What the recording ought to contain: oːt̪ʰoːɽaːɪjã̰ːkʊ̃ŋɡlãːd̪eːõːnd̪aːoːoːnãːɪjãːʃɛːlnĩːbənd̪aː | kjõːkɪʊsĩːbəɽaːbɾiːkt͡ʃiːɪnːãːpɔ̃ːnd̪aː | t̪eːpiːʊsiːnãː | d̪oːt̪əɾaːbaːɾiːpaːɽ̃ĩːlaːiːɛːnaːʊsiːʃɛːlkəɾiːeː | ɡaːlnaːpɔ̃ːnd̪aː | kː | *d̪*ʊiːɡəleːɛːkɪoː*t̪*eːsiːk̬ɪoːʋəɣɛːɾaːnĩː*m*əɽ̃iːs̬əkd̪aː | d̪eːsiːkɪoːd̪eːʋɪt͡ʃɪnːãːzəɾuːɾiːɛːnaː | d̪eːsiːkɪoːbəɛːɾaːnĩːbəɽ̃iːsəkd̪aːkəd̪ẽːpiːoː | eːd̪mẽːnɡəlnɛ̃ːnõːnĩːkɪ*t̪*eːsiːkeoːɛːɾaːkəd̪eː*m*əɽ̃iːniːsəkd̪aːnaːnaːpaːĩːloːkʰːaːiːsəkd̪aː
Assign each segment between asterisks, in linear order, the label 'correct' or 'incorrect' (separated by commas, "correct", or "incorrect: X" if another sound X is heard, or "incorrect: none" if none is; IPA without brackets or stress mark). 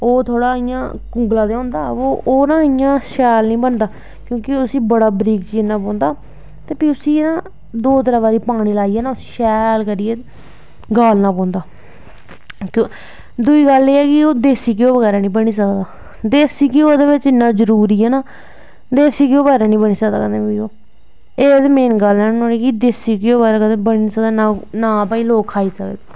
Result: correct, incorrect: d̪, incorrect: b, incorrect: d̪, incorrect: b